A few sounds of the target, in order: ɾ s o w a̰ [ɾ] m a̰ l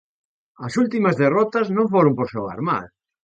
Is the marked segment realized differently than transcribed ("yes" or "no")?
no